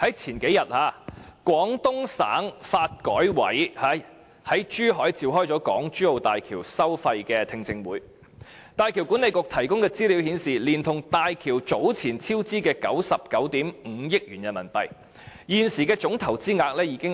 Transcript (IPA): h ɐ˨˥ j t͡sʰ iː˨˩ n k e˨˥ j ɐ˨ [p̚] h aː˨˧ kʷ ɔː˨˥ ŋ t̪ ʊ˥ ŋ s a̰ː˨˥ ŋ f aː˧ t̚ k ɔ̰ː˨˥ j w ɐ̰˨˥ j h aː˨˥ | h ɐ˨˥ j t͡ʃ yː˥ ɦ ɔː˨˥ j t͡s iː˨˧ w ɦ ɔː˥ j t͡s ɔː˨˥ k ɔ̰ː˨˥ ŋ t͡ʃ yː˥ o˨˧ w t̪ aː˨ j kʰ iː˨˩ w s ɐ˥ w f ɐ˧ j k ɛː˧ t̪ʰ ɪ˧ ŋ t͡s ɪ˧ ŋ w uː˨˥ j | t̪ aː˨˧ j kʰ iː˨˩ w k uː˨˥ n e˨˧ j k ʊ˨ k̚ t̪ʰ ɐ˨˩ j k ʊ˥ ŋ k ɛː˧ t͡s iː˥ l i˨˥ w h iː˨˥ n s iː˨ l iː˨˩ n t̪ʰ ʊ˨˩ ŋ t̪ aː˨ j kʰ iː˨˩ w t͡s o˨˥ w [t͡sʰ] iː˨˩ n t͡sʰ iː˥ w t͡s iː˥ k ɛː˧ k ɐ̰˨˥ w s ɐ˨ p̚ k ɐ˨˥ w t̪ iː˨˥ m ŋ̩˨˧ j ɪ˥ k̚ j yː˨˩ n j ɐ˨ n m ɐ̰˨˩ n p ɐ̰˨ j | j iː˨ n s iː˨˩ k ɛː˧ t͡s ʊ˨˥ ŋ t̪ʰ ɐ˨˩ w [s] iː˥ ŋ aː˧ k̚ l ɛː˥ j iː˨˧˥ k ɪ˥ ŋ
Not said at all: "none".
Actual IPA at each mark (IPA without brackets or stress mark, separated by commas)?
t̚, t͡sʰ, t͡s